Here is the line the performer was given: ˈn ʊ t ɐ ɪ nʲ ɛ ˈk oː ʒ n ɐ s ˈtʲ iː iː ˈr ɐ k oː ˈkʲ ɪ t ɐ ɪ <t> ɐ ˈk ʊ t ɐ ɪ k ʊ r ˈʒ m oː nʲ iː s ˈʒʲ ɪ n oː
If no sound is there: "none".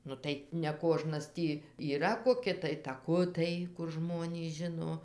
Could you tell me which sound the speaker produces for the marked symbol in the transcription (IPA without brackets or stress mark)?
t